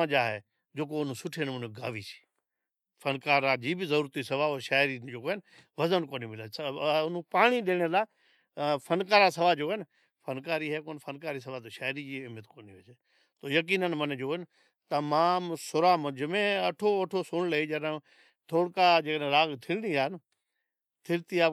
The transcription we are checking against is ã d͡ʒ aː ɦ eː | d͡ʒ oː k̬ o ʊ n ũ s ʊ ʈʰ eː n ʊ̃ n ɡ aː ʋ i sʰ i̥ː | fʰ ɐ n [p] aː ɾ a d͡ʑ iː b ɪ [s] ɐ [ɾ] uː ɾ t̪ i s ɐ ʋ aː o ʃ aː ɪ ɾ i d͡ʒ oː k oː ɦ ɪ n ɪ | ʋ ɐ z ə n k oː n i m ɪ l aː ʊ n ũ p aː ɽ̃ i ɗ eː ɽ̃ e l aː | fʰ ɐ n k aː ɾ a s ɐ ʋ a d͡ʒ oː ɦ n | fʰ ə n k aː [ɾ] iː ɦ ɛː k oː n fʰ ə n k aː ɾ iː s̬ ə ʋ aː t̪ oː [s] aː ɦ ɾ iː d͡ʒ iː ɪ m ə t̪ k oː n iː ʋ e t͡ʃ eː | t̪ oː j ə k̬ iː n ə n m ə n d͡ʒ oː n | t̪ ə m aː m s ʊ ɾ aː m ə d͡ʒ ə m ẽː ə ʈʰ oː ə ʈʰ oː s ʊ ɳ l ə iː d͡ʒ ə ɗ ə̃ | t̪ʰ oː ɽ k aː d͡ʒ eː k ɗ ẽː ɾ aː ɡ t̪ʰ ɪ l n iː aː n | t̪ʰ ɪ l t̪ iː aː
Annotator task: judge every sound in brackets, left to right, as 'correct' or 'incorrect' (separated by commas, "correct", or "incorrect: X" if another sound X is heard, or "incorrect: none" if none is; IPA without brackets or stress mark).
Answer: incorrect: k, incorrect: z, correct, correct, incorrect: ʃ